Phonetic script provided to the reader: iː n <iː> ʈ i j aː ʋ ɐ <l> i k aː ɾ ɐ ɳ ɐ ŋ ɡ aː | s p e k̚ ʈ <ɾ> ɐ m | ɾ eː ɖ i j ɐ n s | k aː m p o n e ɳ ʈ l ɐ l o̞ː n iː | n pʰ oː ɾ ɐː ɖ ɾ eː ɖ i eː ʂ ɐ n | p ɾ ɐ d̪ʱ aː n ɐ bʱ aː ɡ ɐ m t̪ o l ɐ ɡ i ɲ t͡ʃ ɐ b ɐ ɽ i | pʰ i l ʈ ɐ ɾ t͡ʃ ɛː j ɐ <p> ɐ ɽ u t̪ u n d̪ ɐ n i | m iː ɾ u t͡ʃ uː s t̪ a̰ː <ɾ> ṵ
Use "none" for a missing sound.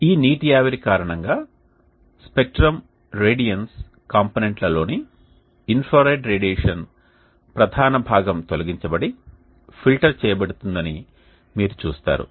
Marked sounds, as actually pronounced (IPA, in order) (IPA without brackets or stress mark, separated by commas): iː, ɾ, ɾ, b, ɾ